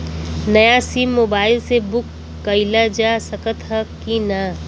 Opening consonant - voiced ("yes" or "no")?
yes